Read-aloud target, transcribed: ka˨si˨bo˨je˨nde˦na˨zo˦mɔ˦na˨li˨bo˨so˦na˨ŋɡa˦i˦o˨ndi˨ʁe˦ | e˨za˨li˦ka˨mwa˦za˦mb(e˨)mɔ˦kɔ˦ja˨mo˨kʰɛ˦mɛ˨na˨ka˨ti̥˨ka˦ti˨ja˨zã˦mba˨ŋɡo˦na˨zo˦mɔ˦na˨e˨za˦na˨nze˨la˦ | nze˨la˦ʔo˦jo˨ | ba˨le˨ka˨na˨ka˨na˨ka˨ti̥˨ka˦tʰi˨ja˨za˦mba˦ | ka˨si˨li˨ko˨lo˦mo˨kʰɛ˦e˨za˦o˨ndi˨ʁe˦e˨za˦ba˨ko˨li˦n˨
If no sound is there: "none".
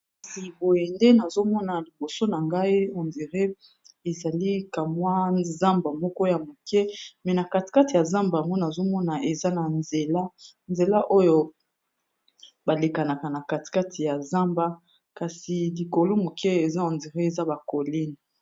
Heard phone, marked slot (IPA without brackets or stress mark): a˨